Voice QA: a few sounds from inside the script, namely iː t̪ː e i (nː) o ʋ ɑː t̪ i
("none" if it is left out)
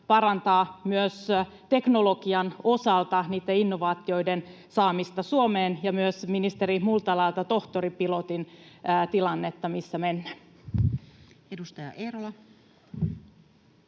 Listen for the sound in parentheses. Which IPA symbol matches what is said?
nː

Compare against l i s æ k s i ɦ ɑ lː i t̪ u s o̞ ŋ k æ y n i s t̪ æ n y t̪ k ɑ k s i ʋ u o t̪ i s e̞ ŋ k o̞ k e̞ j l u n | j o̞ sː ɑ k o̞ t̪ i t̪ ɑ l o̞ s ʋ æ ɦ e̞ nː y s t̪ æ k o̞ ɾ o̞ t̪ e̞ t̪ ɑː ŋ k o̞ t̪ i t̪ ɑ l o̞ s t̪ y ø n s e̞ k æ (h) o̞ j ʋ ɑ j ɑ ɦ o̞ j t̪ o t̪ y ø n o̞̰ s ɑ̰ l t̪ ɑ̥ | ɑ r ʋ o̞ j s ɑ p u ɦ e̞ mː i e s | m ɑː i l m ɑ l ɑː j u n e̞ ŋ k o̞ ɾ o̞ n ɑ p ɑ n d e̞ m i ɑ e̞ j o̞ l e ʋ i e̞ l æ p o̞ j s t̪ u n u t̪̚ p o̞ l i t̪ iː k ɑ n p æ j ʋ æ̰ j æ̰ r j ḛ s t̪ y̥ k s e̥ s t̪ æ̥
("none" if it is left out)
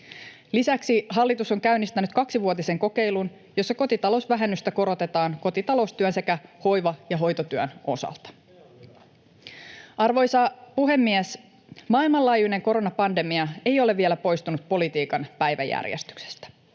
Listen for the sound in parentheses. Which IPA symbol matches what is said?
h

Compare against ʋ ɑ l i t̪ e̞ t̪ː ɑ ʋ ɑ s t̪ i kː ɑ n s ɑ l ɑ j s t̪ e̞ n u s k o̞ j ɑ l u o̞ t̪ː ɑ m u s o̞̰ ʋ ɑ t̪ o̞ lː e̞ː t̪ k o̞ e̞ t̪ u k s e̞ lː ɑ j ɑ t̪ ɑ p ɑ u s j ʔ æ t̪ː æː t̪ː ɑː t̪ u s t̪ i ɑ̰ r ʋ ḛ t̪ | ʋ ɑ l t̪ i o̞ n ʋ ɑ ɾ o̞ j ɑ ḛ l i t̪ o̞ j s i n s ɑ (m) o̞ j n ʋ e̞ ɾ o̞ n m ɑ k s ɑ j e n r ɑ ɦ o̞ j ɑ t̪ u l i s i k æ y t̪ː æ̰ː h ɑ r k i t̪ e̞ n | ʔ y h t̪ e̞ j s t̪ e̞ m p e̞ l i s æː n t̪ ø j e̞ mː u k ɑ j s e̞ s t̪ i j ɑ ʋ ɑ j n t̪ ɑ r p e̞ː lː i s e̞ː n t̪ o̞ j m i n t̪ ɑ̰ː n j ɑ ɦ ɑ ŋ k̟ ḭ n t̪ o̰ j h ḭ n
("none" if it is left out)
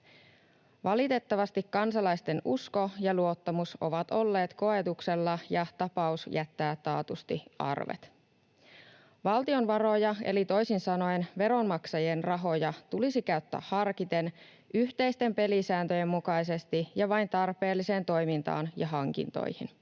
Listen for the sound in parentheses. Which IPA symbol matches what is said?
n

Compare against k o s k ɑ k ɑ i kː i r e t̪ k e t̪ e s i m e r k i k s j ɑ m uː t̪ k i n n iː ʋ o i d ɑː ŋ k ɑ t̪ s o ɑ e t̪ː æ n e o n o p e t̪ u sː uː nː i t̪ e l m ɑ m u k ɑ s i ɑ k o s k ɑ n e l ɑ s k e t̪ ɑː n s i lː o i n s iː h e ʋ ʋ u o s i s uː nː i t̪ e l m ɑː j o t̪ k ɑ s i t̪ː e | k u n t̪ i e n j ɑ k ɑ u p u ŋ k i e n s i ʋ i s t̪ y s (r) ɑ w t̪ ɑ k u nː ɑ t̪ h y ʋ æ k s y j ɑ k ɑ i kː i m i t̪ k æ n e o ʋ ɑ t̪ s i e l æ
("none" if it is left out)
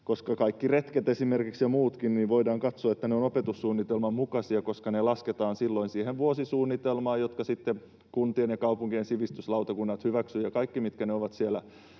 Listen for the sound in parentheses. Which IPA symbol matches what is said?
l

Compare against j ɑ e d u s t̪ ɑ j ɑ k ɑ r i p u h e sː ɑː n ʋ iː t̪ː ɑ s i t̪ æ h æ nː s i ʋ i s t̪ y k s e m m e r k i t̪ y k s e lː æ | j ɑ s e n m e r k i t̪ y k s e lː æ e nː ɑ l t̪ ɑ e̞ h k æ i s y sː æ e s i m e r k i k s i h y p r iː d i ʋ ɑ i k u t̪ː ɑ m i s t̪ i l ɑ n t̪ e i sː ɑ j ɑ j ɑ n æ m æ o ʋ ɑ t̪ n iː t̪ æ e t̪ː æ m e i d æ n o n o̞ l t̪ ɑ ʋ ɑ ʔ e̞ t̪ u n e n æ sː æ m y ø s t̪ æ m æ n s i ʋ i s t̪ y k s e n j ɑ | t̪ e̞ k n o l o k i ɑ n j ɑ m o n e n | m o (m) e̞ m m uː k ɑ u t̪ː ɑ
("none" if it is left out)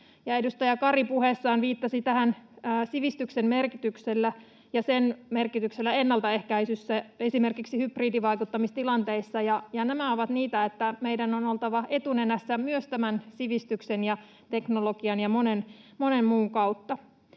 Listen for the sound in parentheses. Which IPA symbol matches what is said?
n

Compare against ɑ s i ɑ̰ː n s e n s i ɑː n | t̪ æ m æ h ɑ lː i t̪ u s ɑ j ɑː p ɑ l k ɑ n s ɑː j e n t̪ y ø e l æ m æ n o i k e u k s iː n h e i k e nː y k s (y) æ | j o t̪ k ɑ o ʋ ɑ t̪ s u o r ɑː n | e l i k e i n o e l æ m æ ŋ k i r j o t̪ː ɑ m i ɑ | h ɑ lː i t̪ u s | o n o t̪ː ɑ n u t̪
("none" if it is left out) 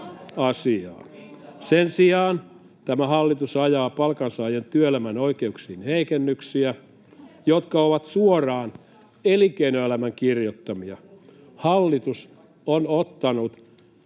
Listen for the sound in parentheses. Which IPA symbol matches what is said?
i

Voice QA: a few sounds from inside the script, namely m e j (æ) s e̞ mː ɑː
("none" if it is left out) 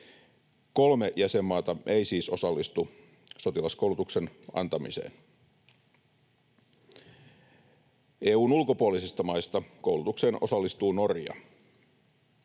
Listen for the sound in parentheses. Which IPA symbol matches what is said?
æ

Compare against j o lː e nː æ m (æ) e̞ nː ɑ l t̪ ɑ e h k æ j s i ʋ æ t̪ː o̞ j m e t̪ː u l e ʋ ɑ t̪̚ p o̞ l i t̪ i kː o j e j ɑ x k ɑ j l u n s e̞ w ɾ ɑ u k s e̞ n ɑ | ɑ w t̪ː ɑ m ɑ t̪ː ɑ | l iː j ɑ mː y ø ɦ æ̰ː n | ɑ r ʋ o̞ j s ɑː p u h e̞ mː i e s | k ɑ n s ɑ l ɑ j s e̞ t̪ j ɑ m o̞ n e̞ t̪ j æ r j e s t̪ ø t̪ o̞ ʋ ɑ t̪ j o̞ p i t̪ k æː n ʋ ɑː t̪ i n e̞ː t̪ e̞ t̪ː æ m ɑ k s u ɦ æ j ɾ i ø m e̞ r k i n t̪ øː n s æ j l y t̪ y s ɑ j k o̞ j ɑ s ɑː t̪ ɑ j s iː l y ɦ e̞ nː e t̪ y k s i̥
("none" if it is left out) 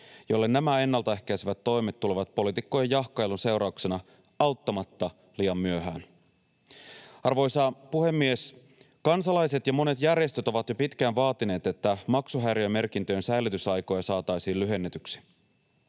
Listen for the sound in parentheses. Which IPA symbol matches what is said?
æ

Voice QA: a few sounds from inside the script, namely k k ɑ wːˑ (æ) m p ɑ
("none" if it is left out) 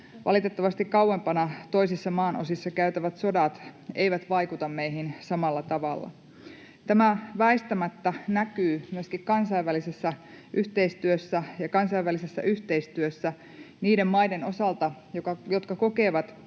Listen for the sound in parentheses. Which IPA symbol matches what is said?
e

